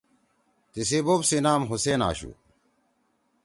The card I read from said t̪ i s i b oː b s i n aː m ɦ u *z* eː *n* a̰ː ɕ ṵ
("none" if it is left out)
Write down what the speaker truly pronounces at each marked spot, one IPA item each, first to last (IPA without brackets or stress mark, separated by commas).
s, n